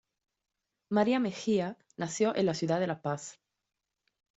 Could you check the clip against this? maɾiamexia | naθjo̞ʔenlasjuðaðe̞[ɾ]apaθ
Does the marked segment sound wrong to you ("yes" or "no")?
yes